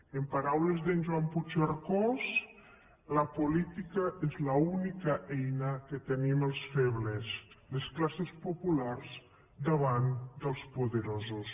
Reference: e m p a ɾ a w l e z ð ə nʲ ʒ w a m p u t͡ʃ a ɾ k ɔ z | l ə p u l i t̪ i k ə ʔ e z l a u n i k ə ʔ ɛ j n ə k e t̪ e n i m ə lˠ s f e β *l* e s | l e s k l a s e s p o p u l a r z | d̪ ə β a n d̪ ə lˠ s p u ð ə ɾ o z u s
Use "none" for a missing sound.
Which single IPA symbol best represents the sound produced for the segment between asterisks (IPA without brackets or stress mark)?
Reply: l